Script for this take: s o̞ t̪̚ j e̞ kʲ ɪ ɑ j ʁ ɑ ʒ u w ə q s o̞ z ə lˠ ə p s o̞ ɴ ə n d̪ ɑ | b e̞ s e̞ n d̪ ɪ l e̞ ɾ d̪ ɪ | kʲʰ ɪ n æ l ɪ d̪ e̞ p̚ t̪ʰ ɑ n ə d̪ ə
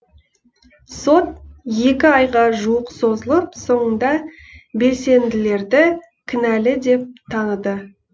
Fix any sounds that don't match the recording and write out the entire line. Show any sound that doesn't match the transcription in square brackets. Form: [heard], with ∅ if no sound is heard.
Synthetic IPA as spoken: s o̞ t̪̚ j e̞ kʲ ɪ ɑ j ʁ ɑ ʒ u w ə q s o̞ z ə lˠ ə p s o̞ ɴ ə n d̪ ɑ | b e̞ s e̞ n d̪ ɪ l e̞ ɾ d̪ ɪ | kʲʰ ɪ n æ l ɪ d̪ e̞ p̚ t̪ʰ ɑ n ə d̪ ə